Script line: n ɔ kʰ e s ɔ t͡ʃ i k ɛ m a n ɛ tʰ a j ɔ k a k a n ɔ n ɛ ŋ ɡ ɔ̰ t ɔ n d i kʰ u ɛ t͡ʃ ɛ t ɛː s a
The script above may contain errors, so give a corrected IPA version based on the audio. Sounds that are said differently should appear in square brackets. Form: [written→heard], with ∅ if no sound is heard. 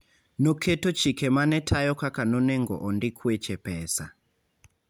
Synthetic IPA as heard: n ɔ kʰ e [s→t] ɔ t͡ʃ i k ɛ m a n ɛ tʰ a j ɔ k a k a n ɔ n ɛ ŋ ɡ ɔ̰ [t→ʔ] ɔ n d i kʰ u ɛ t͡ʃ ɛ [t→p] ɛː s a